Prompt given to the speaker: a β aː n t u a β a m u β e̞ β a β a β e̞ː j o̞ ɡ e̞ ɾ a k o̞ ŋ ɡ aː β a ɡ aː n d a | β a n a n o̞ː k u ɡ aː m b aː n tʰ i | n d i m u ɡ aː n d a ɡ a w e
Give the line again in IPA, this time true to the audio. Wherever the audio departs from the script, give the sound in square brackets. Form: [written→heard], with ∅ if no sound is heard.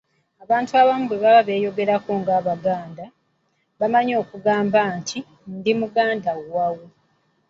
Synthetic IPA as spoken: a β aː n t u a β a m u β e̞ β a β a β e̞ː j o̞ ɡ e̞ ɾ a k o̞ ŋ ɡ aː β a ɡ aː n d a | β a [n→m] a [n→ɲ] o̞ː k u ɡ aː m b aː n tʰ i | n d i m u ɡ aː n d a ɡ a w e